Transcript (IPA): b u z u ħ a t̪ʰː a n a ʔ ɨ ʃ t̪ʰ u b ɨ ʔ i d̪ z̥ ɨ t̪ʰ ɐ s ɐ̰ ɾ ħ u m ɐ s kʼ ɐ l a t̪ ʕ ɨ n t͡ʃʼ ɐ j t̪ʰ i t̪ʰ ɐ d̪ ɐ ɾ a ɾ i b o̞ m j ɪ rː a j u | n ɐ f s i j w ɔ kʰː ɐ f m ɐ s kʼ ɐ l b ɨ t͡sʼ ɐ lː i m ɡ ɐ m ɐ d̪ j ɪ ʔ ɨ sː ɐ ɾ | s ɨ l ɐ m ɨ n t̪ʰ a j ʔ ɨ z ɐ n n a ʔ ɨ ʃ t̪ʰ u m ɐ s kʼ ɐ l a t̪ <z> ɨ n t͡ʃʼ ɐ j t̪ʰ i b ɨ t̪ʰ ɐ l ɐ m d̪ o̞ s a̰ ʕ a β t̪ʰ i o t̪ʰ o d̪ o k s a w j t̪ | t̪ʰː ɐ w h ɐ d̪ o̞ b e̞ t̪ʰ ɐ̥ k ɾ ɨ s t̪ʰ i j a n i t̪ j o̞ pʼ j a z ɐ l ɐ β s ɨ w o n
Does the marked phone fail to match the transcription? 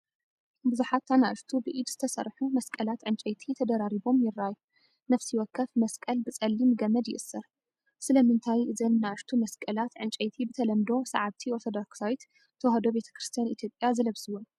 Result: yes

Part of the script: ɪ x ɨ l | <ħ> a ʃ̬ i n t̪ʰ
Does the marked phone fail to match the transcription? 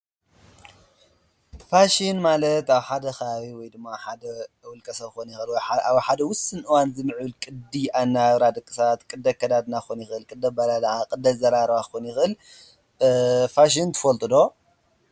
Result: yes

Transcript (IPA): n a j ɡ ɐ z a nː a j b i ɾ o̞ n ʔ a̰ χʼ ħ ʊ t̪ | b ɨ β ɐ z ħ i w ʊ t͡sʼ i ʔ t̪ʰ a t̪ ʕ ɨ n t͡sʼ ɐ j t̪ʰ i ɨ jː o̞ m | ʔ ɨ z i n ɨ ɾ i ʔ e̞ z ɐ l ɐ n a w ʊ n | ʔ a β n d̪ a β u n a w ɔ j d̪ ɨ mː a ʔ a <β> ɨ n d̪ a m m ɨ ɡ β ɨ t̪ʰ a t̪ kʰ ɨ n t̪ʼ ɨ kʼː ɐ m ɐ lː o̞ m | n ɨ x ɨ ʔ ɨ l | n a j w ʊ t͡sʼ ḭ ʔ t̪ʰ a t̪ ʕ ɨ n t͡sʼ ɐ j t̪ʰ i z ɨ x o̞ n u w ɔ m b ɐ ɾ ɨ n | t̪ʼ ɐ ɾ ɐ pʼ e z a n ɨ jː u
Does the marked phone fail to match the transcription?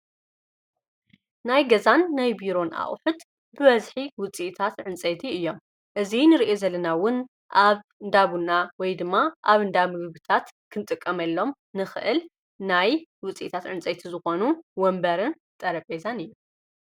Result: no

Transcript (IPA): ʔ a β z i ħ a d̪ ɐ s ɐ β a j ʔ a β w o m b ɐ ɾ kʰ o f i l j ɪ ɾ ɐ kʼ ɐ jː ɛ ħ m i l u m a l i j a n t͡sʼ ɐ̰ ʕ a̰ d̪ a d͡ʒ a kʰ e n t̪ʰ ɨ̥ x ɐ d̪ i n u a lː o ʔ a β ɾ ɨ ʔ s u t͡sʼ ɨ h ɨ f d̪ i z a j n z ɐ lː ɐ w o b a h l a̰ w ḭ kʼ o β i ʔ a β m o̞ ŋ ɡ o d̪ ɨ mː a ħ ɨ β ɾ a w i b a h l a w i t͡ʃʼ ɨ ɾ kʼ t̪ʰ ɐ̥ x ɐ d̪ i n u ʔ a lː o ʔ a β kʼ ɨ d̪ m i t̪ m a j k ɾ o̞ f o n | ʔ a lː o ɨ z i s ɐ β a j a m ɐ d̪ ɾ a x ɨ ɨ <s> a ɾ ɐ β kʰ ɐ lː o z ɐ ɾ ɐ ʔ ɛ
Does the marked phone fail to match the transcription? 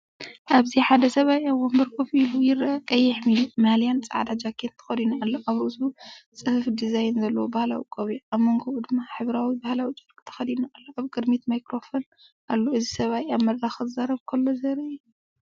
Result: yes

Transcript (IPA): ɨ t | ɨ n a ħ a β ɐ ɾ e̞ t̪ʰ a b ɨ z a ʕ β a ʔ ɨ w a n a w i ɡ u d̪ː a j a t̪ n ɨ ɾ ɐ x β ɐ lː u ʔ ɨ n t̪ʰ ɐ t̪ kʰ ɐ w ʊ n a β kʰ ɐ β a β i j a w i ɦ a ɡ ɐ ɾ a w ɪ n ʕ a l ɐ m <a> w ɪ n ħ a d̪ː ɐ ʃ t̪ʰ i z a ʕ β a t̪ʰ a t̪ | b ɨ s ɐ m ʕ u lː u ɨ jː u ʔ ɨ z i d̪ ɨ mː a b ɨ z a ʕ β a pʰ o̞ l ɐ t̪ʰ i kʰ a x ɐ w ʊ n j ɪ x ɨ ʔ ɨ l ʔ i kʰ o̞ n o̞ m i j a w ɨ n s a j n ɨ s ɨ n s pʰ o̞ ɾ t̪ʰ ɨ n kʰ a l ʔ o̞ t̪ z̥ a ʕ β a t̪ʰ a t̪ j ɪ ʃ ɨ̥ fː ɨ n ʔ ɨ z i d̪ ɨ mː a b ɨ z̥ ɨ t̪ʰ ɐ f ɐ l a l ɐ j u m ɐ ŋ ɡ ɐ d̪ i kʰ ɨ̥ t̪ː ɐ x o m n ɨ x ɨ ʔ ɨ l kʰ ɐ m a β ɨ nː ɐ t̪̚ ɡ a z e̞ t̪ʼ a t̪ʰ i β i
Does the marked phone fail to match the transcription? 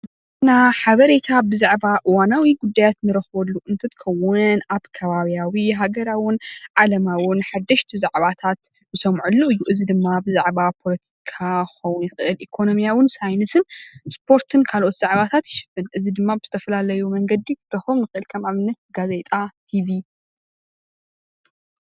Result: no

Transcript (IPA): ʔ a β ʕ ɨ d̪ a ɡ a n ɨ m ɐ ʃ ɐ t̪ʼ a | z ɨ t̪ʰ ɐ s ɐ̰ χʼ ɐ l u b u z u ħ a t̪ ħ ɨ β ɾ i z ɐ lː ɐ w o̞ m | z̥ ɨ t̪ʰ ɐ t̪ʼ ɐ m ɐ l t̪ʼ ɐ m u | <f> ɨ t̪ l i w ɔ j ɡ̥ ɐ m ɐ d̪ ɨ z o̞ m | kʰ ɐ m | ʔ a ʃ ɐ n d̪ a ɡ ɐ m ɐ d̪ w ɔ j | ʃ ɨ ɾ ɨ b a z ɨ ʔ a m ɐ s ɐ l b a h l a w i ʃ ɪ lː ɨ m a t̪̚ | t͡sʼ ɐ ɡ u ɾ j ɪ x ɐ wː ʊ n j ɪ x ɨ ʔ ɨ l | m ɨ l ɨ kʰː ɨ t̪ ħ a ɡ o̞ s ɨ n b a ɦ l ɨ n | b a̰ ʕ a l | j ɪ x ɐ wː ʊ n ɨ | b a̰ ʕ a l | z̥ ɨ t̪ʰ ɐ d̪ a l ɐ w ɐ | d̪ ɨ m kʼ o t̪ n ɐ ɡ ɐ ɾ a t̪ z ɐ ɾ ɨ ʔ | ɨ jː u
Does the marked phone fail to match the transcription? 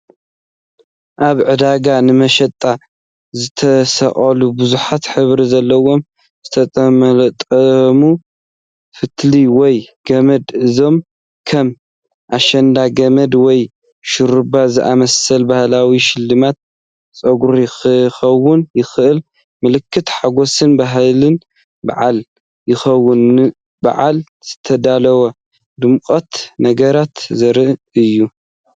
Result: no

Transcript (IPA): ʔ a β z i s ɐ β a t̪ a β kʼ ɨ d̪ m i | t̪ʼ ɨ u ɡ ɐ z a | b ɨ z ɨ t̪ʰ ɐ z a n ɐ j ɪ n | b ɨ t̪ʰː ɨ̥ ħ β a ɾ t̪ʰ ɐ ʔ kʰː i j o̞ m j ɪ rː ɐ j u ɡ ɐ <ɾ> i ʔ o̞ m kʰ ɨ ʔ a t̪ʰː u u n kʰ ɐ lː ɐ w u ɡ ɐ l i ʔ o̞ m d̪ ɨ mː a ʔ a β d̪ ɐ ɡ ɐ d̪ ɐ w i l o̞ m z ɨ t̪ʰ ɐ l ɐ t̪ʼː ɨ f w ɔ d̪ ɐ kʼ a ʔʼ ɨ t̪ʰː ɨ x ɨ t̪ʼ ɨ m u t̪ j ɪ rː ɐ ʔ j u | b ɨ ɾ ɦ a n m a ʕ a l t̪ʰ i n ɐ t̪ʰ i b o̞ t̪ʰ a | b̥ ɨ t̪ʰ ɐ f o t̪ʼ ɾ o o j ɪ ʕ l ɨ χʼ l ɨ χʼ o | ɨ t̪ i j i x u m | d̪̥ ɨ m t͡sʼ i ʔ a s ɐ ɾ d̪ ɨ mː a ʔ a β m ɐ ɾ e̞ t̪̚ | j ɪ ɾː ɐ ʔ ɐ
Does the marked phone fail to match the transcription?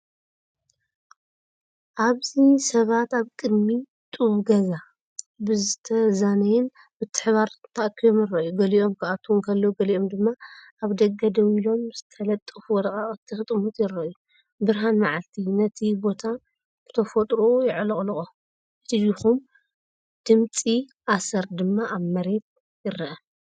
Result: yes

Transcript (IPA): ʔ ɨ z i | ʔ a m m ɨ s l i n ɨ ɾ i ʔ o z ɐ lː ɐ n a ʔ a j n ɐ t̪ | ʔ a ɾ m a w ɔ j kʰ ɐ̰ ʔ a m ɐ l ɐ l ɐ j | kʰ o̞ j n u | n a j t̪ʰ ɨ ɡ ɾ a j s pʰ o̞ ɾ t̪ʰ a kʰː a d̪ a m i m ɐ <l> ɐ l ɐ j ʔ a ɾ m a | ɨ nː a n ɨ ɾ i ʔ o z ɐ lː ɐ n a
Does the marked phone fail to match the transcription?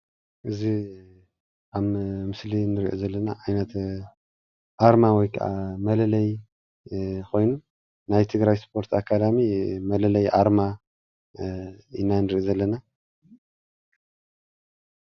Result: no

